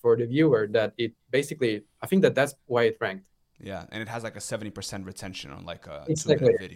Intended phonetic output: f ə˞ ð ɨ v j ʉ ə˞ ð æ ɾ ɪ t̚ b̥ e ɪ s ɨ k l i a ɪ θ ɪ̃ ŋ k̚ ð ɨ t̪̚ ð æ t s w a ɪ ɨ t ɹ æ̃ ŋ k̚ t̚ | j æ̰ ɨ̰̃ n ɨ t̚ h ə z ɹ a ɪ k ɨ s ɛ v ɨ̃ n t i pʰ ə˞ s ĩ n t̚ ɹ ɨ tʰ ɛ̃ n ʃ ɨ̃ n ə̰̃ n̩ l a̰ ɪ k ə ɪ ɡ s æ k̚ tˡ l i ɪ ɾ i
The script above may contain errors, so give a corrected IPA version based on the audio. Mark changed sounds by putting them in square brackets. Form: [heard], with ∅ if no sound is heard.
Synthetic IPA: f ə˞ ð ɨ v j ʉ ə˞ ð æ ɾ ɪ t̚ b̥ e ɪ s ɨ k l i a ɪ θ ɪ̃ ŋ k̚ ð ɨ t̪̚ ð æ t s w a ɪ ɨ t ɹ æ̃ ŋ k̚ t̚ | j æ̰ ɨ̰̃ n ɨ t̚ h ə z [l] a ɪ k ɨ s ɛ v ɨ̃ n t i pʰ ə˞ s [ɛ̃] n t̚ ɹ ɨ tʰ ɛ̃ n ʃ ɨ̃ n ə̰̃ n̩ l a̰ ɪ k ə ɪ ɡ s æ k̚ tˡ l i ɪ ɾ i